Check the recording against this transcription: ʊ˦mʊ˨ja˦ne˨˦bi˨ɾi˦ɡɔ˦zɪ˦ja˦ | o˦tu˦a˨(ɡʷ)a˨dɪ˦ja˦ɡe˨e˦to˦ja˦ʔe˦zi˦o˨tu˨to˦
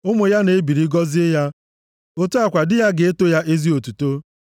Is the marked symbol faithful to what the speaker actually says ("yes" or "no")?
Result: no